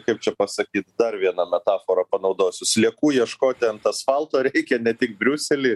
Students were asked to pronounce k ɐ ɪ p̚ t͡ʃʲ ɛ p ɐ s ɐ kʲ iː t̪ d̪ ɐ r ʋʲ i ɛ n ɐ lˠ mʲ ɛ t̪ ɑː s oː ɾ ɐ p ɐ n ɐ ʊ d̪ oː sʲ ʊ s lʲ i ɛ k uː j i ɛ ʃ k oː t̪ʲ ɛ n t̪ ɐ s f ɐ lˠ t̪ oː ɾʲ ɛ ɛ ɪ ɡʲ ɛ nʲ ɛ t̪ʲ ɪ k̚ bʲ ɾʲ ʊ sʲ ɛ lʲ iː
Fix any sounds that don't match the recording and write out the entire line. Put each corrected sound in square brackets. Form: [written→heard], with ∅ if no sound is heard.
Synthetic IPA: k ɐ ɪ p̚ t͡ʃʲ ɛ p ɐ s ɐ kʲ iː t̪ d̪ ɐ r ʋʲ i ɛ n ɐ [lˠ→∅] mʲ ɛ t̪ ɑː [s→f] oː ɾ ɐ p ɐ n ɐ ʊ d̪ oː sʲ ʊ s lʲ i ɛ k uː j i ɛ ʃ k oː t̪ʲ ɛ n t̪ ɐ s f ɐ lˠ t̪ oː ɾʲ ɛ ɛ ɪ [ɡʲ→kʲ] ɛ nʲ ɛ t̪ʲ ɪ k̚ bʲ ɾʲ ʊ sʲ ɛ lʲ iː